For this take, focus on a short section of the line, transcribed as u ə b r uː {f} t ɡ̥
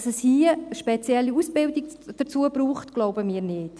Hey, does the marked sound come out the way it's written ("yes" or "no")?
no